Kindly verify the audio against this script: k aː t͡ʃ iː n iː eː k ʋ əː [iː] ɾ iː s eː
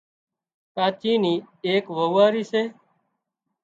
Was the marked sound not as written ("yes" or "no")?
yes